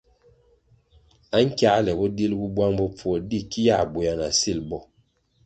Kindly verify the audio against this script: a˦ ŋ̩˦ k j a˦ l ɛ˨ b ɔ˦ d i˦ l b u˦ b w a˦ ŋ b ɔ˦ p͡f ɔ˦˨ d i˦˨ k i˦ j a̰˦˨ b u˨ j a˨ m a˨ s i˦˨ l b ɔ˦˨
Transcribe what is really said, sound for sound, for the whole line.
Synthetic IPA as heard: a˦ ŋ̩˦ k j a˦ l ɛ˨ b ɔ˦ d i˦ l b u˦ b w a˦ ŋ b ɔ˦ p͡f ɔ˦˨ d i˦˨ k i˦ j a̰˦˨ b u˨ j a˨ n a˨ s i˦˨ l b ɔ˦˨